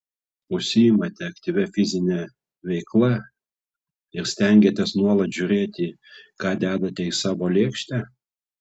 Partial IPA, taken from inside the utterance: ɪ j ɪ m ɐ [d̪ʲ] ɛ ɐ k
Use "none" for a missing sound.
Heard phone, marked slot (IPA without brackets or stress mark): t̪ʲ